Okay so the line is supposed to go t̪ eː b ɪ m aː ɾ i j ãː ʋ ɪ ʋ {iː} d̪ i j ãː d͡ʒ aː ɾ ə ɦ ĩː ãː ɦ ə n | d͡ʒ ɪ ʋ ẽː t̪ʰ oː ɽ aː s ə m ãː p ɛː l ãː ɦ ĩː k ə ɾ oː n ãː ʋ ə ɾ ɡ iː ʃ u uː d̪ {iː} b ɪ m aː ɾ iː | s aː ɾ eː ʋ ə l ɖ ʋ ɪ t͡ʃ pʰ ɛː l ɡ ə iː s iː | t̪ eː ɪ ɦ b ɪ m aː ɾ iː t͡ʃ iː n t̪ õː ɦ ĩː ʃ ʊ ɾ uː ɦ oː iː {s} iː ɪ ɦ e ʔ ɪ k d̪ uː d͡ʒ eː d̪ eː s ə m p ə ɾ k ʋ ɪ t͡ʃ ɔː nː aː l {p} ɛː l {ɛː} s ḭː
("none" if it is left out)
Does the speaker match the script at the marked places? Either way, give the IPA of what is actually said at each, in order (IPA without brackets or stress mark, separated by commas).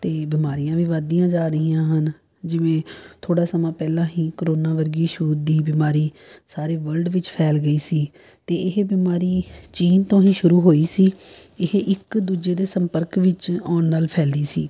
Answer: aː, iː, s, pʰ, iː